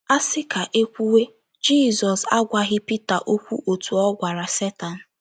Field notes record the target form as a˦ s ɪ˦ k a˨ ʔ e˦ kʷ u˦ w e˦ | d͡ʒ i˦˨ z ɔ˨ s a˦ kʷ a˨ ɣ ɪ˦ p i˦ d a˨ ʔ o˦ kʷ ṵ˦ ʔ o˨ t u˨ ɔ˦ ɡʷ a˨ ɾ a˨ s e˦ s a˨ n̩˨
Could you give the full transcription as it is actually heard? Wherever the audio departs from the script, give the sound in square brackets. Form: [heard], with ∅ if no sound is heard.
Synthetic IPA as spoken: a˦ s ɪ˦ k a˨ ʔ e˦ kʷ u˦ w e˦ | d͡ʒ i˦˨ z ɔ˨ s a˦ [ɡʷ] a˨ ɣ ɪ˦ p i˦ [t] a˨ ʔ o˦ kʷ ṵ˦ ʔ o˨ t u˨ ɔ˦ ɡʷ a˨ ɾ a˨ s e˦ [t] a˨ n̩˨